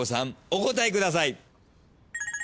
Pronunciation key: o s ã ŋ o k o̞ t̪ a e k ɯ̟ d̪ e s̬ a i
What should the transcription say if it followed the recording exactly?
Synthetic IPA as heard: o s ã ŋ o k o̞ t̪ a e k ɯ̟ d̪ a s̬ a i